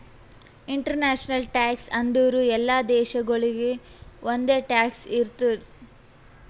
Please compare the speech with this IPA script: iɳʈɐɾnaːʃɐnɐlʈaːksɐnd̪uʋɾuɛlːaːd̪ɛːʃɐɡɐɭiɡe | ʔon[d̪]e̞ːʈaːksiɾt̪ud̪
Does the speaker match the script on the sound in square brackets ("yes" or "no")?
yes